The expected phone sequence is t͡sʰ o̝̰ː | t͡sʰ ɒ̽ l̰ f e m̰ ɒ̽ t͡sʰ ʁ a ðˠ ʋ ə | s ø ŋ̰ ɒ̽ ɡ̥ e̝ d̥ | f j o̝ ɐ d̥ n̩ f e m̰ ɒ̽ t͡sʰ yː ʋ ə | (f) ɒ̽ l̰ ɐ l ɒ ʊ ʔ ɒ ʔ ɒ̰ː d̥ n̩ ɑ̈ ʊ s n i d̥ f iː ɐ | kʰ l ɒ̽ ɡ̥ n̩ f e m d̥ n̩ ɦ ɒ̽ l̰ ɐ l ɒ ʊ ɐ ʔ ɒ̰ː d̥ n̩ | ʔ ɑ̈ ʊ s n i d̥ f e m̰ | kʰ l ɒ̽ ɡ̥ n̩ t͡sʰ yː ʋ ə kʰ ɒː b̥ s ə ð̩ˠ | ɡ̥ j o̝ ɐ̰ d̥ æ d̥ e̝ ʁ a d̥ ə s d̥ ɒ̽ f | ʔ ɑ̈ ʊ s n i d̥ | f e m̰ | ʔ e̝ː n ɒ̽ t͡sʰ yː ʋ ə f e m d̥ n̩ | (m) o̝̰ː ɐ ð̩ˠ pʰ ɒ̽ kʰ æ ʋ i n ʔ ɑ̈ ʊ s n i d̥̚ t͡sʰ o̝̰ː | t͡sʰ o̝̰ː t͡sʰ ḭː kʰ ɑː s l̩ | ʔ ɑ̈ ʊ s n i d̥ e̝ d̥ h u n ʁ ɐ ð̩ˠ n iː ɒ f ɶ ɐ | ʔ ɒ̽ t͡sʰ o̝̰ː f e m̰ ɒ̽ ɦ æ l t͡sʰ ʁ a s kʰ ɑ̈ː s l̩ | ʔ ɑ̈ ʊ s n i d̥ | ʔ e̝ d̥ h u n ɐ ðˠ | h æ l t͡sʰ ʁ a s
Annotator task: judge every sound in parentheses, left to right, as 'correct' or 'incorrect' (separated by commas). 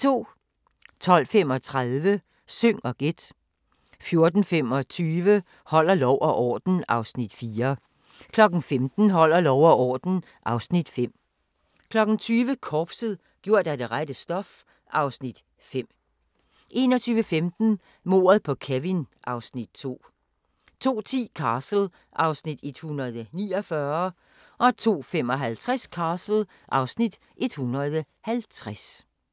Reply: incorrect, correct